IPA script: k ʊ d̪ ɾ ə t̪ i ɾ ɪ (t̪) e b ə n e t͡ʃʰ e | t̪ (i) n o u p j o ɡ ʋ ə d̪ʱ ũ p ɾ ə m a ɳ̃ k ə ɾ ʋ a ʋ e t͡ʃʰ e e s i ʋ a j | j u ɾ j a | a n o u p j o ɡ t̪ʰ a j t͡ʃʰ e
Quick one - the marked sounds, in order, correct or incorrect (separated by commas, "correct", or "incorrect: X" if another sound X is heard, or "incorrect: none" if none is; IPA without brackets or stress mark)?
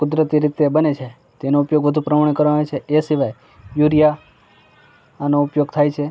correct, incorrect: e